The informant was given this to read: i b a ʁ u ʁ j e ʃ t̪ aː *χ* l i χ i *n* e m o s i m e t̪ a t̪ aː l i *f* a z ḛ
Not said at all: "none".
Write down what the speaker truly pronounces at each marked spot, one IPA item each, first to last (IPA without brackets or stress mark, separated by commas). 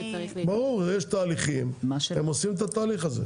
none, m, χ